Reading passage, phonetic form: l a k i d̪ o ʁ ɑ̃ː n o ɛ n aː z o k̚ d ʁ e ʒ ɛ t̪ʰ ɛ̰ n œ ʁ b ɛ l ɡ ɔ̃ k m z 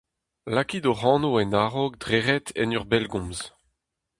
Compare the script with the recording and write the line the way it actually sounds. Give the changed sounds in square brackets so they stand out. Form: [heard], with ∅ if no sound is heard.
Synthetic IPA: l a k i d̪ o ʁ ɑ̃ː n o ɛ n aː [ʁ] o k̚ d ʁ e [ʁ] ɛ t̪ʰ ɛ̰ n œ ʁ b ɛ l ɡ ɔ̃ [∅] m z